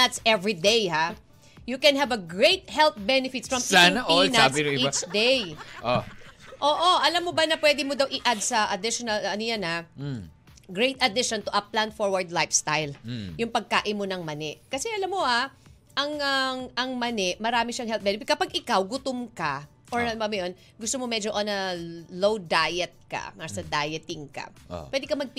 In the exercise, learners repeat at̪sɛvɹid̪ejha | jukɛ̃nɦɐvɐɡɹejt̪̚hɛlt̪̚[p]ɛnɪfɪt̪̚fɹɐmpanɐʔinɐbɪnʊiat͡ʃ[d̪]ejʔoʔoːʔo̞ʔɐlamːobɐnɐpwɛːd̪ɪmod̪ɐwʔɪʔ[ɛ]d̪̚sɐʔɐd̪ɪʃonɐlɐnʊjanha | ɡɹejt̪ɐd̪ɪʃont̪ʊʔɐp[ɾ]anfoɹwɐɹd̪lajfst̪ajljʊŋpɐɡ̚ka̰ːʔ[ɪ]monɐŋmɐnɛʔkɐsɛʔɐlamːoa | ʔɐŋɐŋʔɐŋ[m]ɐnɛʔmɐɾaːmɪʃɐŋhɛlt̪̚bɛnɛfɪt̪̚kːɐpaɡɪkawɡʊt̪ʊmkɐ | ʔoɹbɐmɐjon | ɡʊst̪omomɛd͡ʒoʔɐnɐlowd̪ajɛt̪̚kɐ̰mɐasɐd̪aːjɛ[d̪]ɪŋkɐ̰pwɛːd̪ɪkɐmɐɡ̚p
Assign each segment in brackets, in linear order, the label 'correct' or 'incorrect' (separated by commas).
incorrect, correct, incorrect, incorrect, correct, correct, incorrect